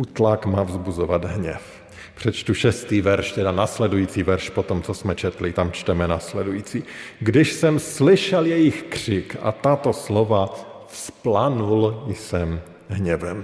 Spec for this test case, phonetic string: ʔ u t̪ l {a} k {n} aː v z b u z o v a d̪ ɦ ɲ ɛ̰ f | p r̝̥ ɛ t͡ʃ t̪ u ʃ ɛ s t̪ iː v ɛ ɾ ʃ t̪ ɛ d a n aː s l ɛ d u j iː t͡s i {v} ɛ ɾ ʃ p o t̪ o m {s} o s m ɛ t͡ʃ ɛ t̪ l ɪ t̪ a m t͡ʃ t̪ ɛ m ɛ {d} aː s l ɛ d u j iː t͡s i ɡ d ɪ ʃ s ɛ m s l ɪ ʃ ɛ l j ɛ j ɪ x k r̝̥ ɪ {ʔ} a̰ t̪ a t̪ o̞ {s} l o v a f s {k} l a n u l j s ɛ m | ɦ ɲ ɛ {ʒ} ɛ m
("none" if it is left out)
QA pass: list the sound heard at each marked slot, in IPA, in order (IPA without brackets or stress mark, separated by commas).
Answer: a, m, v, t͡s, n, k, s, p, v